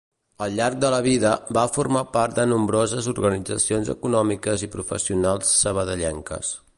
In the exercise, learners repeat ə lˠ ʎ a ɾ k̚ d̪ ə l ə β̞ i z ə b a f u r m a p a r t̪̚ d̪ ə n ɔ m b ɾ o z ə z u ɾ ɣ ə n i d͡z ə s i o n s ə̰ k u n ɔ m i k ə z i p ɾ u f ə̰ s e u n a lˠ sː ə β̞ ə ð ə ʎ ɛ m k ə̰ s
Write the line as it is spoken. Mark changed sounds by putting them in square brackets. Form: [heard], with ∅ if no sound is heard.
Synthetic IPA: ə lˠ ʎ a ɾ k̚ d̪ ə l ə β̞ i [ð] ə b a f u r m a p a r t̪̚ d̪ ə n [u] m b ɾ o z ə z u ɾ ɣ ə n i d͡z ə s i o n [z] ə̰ k u n ɔ m i k ə z i p ɾ u f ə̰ s [i] u n a lˠ sː ə β̞ ə ð ə ʎ ɛ [ŋ] k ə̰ s